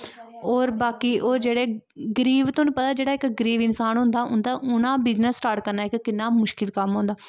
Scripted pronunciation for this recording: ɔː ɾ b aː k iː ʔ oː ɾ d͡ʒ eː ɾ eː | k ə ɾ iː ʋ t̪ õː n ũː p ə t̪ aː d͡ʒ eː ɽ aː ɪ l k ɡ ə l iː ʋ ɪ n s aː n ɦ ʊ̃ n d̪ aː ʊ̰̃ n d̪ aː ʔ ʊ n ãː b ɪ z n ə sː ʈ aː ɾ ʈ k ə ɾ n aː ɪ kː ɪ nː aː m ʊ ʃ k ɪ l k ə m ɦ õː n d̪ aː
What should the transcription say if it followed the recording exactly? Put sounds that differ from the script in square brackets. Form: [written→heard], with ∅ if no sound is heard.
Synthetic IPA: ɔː ɾ b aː k iː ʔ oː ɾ d͡ʒ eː [ɾ→ɽ] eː | [k→ɡ] ə ɾ iː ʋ t̪ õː n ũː p ə t̪ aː d͡ʒ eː ɽ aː ɪ [l→∅] k ɡ ə [l→ɾ] iː ʋ ɪ n s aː n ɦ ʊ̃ n d̪ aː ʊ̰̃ n d̪ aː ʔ ʊ n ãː b ɪ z n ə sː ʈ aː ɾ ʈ k ə ɾ n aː ɪ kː ɪ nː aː m ʊ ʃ k ɪ l k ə m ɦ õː n d̪ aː